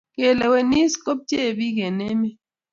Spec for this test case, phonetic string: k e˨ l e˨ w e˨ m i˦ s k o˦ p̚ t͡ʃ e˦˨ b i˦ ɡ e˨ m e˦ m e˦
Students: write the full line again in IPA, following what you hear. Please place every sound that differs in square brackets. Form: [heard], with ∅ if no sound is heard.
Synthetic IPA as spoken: k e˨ l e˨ w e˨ [n] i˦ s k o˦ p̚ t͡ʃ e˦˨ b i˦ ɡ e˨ [n] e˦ m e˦